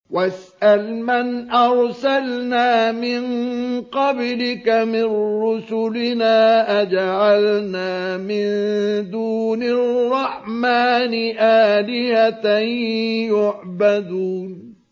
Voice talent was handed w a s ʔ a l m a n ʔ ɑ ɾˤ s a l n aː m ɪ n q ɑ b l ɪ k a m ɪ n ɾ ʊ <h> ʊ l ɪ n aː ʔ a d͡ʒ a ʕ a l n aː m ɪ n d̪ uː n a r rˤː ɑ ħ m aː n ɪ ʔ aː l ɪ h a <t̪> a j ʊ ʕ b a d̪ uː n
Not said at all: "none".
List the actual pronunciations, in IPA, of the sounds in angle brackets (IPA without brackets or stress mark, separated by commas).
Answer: s, t̪